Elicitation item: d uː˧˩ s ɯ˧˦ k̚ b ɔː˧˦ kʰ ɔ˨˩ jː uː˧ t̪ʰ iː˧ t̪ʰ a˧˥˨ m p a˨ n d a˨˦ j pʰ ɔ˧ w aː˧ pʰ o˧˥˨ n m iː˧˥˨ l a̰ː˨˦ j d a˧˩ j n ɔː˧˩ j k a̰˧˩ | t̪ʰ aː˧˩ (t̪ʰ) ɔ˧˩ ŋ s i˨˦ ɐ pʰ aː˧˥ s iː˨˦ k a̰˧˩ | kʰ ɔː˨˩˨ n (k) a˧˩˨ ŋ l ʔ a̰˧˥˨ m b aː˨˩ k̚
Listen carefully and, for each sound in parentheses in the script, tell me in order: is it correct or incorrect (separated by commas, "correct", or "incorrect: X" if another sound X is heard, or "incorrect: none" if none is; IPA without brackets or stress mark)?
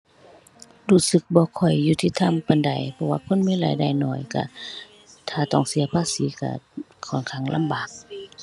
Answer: incorrect: t̪, incorrect: kʰ